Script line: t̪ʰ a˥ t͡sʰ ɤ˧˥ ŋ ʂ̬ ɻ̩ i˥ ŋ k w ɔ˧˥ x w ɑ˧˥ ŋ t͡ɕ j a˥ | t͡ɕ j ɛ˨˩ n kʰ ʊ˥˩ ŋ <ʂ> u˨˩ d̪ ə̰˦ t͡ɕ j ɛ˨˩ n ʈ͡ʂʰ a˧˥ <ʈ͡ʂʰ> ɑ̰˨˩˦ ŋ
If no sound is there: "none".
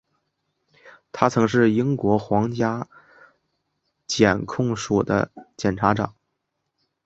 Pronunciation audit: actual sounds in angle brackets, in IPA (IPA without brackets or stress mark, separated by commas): ʂ, ʈ͡ʂ